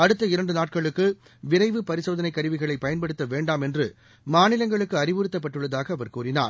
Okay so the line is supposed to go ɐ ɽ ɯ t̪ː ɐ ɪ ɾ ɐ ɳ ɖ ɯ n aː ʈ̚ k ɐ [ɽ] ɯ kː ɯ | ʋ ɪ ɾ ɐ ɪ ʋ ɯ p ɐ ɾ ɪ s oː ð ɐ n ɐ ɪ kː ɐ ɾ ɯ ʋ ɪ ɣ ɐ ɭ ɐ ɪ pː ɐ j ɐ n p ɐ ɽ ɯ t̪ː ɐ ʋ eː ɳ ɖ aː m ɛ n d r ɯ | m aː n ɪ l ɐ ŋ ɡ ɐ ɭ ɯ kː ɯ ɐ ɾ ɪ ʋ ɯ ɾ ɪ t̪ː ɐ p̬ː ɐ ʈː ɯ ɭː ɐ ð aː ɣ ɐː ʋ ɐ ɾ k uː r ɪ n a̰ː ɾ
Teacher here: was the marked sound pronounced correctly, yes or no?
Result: no